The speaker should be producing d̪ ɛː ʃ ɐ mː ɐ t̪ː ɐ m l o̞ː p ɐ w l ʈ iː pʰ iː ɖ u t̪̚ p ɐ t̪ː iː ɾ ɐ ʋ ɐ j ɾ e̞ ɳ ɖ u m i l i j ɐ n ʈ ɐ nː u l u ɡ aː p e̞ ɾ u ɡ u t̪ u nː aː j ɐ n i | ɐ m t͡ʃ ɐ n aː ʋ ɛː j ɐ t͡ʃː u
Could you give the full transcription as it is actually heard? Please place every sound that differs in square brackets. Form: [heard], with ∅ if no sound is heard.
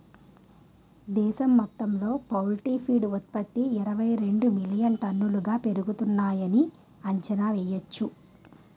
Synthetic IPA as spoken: d̪ ɛː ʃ ɐ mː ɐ t̪ː ɐ m l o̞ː p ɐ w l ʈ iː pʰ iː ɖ u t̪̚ p ɐ t̪ː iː ɾ ɐ ʋ ɐ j ɾ e̞ ɳ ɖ u m i l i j ɐ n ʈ ɐ nː u l u ɡ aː p e̞ ɾ u ɡ u t̪ u nː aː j ɐ n i | ɐ [ɲ] t͡ʃ ɐ n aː ʋ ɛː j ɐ t͡ʃː u